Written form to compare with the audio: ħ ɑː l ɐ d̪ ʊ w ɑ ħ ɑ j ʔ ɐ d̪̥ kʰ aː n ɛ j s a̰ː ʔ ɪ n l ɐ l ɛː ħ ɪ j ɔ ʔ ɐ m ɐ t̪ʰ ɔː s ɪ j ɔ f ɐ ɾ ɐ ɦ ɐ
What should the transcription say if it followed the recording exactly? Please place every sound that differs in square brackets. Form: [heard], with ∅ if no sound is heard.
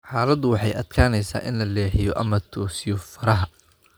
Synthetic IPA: ħ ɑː l ɐ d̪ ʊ w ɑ ħ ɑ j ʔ ɐ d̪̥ kʰ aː n ɛ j s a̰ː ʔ ɪ n l ɐ l ɛː ħ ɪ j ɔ ʔ ɐ m ɐ t̪ʰ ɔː s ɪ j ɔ f ɐ ɾ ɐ ɦ ɐ